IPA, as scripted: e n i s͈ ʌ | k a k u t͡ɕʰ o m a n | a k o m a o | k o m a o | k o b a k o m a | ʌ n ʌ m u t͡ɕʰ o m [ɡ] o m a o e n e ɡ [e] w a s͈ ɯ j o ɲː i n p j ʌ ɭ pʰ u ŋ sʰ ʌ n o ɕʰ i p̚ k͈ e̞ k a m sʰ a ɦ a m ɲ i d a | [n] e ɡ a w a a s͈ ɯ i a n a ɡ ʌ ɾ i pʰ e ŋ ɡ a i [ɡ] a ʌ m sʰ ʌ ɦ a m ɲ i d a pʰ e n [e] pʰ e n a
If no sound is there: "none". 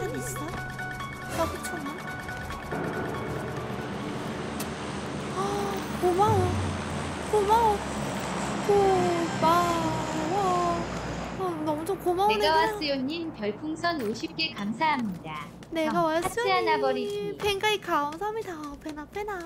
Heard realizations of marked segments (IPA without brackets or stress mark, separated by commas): k, a, n, k, a